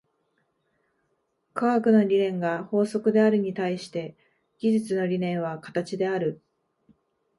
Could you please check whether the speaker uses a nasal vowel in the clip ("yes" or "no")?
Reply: yes